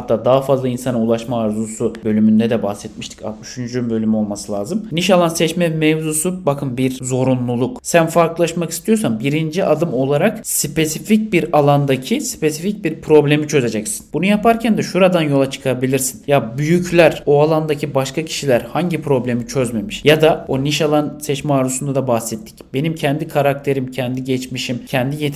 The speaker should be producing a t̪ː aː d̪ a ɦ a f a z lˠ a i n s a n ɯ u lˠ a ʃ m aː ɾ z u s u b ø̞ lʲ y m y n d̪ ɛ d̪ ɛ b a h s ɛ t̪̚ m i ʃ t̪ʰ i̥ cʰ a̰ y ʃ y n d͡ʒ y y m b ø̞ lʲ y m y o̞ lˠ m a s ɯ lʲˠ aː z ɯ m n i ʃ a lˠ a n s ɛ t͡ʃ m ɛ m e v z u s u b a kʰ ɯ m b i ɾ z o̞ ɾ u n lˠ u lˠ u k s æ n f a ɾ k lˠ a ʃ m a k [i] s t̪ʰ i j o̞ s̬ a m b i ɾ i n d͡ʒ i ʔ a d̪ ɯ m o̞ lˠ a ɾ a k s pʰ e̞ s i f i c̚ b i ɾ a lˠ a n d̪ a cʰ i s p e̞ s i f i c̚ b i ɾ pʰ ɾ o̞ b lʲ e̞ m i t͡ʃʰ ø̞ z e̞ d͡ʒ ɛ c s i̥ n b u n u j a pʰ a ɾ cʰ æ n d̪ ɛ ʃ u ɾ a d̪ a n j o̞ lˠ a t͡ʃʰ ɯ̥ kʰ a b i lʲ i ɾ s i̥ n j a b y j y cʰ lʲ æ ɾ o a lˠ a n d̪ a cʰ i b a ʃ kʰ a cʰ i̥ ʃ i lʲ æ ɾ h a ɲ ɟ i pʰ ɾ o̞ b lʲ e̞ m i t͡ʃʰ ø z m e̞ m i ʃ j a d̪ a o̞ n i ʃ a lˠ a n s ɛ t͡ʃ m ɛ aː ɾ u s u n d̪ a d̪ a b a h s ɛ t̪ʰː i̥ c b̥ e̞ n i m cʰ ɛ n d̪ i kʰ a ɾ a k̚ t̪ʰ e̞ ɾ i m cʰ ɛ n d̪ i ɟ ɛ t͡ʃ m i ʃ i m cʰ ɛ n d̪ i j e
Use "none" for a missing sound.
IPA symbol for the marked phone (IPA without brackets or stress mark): i